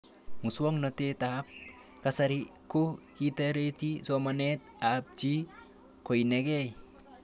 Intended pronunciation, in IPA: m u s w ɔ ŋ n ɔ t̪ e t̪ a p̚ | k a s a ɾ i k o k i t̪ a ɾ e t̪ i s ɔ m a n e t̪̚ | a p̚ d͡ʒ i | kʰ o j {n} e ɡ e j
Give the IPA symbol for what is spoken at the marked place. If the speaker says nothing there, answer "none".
n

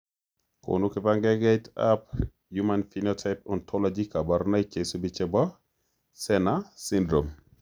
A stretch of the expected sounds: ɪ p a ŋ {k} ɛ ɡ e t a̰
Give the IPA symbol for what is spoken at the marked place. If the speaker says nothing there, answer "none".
ɡ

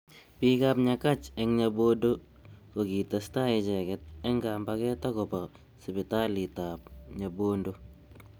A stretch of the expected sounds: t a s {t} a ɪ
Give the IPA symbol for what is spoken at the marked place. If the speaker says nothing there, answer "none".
t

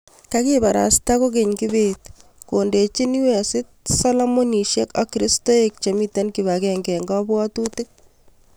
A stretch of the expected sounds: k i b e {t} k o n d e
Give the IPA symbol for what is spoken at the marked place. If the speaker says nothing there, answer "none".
t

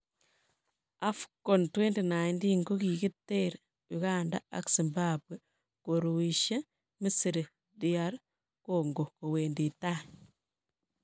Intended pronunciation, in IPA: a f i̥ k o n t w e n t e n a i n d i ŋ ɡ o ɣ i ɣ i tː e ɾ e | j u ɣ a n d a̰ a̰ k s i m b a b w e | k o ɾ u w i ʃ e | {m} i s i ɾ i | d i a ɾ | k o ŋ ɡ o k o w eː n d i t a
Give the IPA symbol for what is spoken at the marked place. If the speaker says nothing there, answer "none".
m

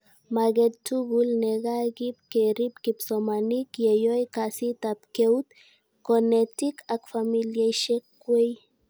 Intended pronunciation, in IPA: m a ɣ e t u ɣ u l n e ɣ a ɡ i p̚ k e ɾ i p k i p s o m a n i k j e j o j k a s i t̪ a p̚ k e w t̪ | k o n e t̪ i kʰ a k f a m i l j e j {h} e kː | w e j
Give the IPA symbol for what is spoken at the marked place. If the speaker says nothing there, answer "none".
ʃ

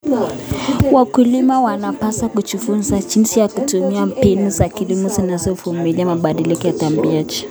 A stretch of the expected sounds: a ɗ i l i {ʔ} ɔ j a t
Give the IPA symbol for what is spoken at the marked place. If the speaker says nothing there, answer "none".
k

